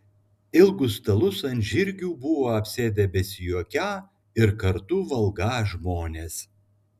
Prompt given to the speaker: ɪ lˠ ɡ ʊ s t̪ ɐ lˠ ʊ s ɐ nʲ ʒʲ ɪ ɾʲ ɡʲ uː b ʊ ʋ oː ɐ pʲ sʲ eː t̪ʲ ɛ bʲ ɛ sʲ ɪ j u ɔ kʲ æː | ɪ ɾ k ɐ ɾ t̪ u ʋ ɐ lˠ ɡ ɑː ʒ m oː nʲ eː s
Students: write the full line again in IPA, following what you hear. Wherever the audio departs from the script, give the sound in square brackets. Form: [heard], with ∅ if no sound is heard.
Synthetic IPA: ɪ lˠ ɡ ʊ s t̪ ɐ lˠ ʊ s ɐ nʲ ʒʲ ɪ ɾʲ ɡʲ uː b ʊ ʋ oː ɐ pʲ sʲ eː [d̪ʲ] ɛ bʲ ɛ sʲ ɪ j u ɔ kʲ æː | ɪ ɾ k ɐ ɾ t̪ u ʋ ɐ lˠ ɡ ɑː ʒ m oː nʲ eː s